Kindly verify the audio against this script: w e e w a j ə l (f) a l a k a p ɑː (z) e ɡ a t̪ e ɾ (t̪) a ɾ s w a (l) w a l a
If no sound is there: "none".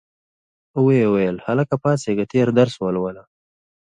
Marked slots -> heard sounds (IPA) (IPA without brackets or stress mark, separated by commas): h, s, d̪, l